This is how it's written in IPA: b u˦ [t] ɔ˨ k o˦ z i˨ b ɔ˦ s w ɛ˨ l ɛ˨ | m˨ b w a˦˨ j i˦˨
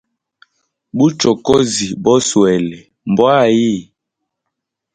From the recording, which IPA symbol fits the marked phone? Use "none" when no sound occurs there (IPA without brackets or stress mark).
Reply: t͡ʃ